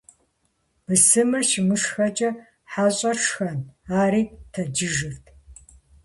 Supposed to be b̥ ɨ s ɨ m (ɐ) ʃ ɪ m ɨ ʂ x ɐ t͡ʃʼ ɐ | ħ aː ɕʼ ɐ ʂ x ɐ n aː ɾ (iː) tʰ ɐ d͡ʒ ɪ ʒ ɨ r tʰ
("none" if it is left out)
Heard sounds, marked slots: ɐ, iː

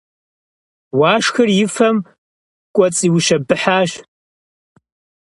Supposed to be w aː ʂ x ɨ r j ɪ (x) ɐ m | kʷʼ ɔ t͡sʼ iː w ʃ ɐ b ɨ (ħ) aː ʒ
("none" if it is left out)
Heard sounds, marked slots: f, ħ

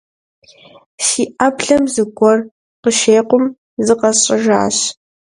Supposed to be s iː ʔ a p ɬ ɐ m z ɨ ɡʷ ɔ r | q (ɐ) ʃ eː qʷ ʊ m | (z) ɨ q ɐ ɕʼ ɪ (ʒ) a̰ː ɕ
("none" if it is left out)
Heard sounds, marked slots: ə, z, ʒ

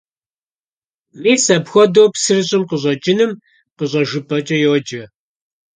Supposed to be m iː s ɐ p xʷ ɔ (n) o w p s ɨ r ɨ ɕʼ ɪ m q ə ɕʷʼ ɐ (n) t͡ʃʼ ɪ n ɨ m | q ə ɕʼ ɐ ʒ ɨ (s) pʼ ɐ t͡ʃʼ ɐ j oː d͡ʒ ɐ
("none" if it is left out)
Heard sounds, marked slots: d, none, none

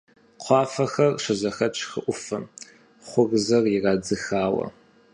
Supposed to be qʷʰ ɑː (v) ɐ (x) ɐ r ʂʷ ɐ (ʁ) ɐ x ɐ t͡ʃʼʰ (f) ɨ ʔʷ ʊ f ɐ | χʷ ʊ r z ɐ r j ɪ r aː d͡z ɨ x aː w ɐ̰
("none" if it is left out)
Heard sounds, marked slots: f, x, z, x

